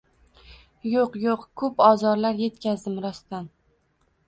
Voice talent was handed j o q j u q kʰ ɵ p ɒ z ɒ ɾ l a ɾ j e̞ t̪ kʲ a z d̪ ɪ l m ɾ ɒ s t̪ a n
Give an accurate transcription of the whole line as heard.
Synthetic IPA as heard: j o q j o q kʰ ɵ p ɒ z ɒ ɾ l a ɾ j e̞ t̪ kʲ a z d̪ ɪ m ɾ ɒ s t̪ a n